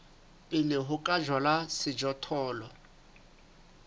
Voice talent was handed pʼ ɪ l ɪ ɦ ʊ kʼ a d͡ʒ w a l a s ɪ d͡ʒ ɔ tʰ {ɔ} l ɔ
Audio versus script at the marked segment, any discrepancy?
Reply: yes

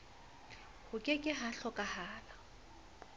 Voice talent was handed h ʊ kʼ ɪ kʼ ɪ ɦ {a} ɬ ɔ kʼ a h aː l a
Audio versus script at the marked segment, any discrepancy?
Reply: no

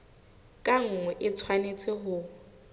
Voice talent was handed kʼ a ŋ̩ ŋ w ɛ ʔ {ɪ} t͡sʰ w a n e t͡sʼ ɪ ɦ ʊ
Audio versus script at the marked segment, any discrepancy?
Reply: no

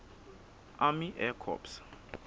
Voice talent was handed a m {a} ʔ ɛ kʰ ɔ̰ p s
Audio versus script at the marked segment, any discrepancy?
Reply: yes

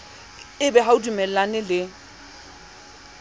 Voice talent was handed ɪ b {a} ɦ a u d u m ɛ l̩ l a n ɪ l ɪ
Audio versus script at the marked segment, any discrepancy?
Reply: yes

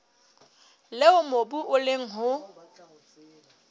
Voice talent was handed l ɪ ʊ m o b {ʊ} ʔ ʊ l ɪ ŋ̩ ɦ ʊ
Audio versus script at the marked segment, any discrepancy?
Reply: yes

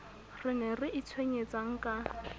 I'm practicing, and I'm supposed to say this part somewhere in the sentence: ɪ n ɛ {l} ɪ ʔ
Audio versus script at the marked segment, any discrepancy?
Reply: yes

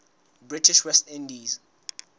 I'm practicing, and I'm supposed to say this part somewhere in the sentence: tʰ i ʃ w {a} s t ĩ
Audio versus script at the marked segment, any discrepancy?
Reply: yes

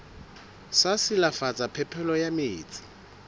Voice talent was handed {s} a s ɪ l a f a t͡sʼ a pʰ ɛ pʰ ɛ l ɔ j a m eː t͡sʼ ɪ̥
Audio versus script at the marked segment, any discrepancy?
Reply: no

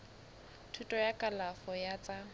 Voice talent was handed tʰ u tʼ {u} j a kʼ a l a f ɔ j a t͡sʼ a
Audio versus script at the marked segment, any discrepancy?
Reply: yes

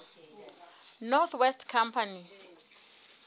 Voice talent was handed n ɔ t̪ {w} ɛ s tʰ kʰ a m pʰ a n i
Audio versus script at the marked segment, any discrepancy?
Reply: no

